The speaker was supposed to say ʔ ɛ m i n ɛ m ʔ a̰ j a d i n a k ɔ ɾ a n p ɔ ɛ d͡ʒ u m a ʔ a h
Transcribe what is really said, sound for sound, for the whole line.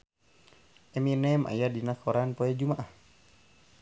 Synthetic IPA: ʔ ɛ m i n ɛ m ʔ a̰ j a d i n a k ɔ ɾ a n p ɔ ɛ d͡ʒ u m a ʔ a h

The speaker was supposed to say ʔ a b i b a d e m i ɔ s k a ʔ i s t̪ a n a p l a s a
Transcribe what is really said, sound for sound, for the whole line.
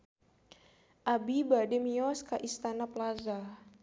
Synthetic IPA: ʔ a b i b a d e m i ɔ s k a ʔ i s t̪ a n a p l a z a

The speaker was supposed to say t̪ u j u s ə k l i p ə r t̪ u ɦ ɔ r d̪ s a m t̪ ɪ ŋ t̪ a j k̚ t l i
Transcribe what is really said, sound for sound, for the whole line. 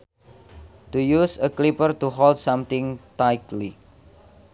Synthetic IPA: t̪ u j u s ə k l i p ə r t̪ u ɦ ɔ l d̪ s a m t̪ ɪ ŋ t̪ a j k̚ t l i

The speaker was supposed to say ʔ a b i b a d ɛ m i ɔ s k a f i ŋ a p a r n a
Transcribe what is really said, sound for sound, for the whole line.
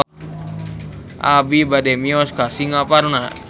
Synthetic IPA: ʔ a b i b a d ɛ m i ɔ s k a s i ŋ a p a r n a

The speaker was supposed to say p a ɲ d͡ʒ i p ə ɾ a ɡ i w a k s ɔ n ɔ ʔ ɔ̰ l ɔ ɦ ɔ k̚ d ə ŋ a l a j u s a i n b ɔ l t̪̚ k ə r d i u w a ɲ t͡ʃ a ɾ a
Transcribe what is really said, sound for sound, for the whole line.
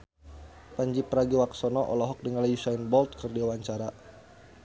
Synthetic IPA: p a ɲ d͡ʒ i p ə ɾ a ɡ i w a k s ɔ n ɔ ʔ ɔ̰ l ɔ ɦ ɔ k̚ d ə ŋ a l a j u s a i n b ɔ l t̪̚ k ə r d i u w a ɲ t͡ʃ a ɾ a

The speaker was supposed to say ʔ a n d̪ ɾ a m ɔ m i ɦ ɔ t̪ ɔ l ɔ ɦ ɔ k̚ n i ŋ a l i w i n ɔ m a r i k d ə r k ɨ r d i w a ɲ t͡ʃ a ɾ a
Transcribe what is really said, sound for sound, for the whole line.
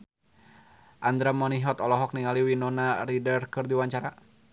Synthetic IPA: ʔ a n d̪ ɾ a m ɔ n i ɦ ɔ t̪ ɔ l ɔ ɦ ɔ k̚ n i ŋ a l i w i n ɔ n a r i d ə r k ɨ r d i w a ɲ t͡ʃ a ɾ a

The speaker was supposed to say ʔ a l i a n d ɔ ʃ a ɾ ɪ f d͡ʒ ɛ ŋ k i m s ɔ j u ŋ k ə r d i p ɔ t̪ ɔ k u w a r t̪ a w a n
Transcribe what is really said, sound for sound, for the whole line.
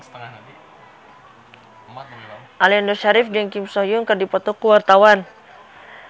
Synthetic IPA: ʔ a l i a n d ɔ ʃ a ɾ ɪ f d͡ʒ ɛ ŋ k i m s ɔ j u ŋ k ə r d i p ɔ t̪ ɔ k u w a r t̪ a w a n

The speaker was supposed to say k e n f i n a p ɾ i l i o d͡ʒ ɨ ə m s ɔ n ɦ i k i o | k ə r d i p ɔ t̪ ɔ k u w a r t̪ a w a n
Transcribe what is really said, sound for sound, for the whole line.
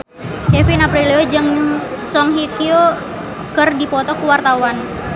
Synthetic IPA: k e f i n a p ɾ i l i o d͡ʒ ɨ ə ŋ s ɔ ŋ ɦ i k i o | k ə r d i p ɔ t̪ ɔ k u w a r t̪ a w a n

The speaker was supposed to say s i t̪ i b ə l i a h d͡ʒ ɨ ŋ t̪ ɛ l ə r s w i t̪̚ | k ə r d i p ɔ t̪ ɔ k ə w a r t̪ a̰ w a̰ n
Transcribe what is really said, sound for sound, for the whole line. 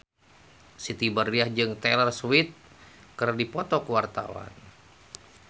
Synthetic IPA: s i t̪ i b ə r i a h d͡ʒ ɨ ŋ t̪ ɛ l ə r s w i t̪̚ | k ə r d i p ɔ t̪ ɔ k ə w a r t̪ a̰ w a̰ n

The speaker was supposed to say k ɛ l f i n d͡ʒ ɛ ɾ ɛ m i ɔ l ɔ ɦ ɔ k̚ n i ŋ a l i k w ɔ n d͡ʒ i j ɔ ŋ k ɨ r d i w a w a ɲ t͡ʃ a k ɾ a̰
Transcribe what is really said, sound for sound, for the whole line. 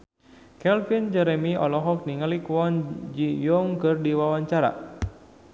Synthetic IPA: k ɛ l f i n d͡ʒ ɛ ɾ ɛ m i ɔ l ɔ ɦ ɔ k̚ n i ŋ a l i k w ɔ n d͡ʒ i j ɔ ŋ k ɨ r d i w a w a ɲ t͡ʃ a ɾ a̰

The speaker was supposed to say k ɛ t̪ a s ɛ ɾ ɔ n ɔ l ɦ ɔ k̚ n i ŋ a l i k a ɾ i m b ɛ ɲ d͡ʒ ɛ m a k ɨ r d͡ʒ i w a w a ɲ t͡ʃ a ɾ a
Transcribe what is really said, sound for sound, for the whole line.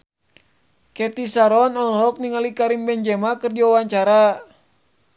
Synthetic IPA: k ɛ t̪ i s a ɾ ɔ n ɔ l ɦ ɔ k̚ n i ŋ a l i k a ɾ i m b ɛ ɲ d͡ʒ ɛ m a k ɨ r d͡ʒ i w a w a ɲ t͡ʃ a ɾ a

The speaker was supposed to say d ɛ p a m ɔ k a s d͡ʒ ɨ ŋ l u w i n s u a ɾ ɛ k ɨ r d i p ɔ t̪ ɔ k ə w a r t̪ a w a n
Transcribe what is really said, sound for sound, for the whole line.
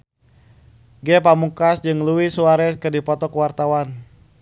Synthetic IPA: ɡ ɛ p a m u k a s d͡ʒ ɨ ŋ l u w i s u a ɾ ɛ k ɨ r d i p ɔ t̪ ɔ k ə w a r t̪ a w a n

